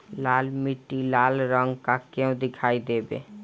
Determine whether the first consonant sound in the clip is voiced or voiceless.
voiced